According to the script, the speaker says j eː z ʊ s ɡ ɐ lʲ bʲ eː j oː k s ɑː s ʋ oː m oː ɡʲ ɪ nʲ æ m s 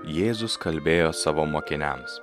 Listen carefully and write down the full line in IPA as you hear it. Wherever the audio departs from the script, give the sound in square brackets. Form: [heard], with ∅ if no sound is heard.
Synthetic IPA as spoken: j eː z ʊ s [k] ɐ lʲ bʲ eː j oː [∅] s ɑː [∅] ʋ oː m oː [kʲ] ɪ nʲ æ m s